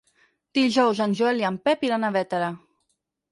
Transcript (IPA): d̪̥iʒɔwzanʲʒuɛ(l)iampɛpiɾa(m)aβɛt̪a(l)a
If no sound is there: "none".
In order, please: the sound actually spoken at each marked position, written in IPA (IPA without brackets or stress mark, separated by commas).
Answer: l, n, ɾ